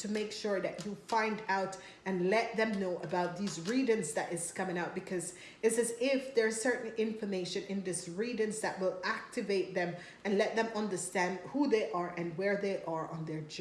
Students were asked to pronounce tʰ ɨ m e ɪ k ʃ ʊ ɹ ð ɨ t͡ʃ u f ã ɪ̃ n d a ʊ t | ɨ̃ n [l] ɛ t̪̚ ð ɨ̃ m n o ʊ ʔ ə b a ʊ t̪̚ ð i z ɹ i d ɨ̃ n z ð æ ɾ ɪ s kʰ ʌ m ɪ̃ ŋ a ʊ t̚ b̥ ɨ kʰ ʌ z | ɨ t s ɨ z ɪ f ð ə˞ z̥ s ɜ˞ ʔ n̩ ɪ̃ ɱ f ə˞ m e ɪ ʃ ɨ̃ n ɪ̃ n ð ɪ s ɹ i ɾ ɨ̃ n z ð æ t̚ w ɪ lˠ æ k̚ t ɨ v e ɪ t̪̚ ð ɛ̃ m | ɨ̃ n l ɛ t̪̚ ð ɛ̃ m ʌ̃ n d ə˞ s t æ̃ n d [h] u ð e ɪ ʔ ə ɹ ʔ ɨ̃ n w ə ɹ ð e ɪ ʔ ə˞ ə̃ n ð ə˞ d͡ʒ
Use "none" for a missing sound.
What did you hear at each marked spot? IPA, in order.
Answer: l, h

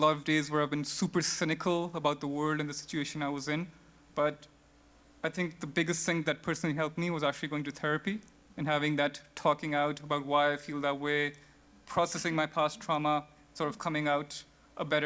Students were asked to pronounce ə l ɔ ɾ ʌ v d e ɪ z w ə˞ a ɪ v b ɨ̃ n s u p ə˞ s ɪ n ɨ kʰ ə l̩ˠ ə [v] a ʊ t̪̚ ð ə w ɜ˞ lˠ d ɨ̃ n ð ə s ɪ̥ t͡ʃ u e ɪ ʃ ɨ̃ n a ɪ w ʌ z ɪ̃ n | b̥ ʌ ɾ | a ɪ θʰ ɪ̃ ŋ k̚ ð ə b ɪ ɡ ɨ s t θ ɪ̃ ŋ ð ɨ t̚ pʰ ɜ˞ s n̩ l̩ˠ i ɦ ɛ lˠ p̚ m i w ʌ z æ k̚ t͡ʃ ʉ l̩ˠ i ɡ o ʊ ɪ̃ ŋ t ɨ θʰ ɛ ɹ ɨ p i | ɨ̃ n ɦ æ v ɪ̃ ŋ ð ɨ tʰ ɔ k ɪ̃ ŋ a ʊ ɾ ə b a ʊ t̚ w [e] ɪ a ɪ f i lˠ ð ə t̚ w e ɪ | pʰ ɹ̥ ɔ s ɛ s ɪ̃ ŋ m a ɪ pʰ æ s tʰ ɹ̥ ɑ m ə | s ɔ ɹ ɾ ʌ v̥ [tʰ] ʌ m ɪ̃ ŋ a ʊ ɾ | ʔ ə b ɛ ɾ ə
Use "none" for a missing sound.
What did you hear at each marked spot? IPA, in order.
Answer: b, a, kʰ

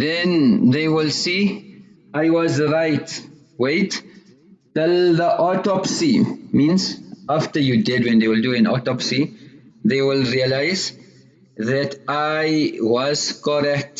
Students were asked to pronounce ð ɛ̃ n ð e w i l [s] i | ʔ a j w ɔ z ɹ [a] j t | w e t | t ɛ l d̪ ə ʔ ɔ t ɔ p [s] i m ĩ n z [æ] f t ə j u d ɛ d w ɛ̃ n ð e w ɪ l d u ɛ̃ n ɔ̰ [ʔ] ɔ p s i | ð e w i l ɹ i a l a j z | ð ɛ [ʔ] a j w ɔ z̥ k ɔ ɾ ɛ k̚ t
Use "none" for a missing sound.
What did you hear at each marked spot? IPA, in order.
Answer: s, a, s, a, t, t

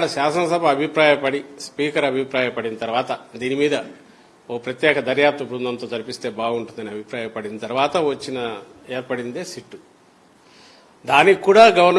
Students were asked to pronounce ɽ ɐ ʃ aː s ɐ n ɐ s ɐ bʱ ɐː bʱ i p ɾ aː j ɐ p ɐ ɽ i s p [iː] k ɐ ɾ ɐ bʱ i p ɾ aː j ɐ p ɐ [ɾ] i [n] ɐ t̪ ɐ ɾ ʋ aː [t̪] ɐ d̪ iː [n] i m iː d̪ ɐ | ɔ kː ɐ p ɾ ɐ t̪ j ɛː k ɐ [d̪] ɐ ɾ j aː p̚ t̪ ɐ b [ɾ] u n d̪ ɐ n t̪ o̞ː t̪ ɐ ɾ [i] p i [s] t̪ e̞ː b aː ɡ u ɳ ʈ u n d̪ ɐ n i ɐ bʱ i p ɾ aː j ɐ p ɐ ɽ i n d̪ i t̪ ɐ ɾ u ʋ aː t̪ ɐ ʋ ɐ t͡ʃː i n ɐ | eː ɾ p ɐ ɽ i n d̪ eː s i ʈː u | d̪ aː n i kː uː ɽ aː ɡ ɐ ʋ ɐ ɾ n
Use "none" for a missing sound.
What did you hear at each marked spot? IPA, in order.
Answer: iː, ɽ, n, t̪, n, d̪, ɾ, i, s

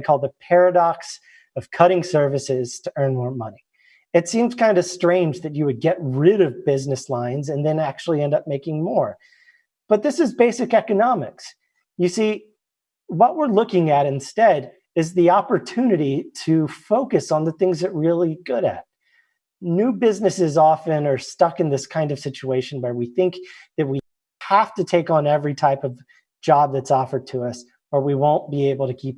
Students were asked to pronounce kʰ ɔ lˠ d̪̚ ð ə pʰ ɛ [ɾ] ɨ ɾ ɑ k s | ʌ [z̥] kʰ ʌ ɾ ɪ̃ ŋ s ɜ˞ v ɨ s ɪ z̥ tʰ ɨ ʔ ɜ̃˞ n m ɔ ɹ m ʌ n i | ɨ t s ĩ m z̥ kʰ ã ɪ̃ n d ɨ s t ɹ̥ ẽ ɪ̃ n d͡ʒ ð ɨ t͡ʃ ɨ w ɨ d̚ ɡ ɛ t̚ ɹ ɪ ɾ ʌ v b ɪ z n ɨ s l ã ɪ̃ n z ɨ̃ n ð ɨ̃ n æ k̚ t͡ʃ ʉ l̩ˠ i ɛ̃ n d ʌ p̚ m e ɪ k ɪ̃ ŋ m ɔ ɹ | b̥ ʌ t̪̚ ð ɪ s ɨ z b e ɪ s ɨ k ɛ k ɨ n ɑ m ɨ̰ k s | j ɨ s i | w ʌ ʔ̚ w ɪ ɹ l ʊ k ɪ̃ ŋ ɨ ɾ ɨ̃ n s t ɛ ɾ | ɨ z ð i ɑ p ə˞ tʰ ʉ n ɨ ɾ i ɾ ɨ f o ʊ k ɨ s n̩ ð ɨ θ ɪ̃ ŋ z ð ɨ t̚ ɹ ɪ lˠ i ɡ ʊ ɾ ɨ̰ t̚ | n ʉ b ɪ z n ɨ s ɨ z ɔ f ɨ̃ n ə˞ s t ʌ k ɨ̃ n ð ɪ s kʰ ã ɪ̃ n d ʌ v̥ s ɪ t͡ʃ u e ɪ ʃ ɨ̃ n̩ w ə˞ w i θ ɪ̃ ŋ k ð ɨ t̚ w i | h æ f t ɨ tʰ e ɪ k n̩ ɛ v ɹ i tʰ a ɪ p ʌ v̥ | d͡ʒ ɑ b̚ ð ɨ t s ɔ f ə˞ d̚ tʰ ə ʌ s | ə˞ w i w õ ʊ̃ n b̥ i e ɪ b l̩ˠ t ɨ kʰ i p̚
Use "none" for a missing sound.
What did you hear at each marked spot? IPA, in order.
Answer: ɹ, v̥

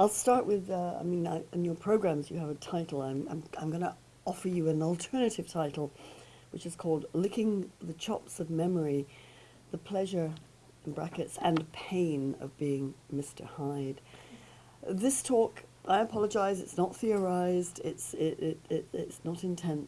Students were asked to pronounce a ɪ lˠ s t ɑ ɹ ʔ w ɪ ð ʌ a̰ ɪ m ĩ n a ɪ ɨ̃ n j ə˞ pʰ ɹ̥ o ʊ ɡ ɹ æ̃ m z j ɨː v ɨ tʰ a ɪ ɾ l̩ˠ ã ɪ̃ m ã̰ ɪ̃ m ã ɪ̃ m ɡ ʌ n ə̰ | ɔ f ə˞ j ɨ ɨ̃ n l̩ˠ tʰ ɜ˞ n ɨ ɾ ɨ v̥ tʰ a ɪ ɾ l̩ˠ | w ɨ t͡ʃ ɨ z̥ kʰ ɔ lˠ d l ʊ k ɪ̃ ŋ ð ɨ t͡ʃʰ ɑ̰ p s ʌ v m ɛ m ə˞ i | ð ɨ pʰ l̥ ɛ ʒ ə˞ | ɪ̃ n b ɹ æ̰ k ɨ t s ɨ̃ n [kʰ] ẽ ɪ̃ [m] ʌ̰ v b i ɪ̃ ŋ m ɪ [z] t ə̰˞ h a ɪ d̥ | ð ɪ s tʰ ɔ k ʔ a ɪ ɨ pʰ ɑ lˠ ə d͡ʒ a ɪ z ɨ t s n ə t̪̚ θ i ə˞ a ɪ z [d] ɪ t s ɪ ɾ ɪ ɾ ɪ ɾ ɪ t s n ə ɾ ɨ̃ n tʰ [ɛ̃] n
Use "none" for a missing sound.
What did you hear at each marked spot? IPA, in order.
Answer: pʰ, n, s, d, ɛ̃

